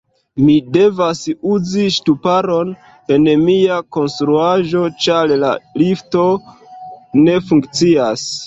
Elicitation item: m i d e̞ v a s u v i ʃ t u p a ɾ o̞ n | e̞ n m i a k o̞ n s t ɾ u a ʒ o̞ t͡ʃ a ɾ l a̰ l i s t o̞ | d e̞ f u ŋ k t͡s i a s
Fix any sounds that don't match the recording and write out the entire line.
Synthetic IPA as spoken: m i d e̞ v a s u z i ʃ t u p a ɾ o̞ n | e̞ n m i a k o̞ n s t ɾ u a ʒ o̞ t͡ʃ a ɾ l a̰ l i f t o̞ | n e̞ f u ŋ k t͡s i a s